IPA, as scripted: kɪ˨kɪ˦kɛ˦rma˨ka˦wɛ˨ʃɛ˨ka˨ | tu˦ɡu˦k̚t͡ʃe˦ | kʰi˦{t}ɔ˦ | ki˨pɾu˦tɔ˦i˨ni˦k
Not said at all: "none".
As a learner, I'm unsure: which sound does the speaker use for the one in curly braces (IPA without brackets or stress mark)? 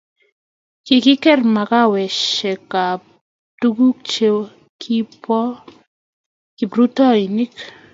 p